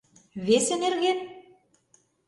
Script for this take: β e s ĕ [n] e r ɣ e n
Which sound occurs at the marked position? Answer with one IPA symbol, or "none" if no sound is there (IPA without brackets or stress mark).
n